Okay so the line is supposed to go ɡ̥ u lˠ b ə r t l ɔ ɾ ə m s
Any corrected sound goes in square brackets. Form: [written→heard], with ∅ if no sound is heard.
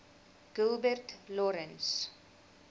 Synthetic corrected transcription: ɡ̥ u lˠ b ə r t l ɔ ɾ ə [m→n] s